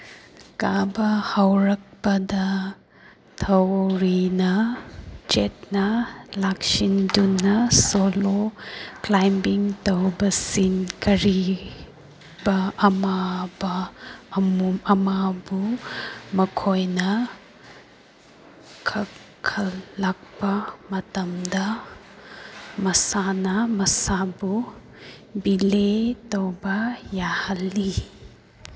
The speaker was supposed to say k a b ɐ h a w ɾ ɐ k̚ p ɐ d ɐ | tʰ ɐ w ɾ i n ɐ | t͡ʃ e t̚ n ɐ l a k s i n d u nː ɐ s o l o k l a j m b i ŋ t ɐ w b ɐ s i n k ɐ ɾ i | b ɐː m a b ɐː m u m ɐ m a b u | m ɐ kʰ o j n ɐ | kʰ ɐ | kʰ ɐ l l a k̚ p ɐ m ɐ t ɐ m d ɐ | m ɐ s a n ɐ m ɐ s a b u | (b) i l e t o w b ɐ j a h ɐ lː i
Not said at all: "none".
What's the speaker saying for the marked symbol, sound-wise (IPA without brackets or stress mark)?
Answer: b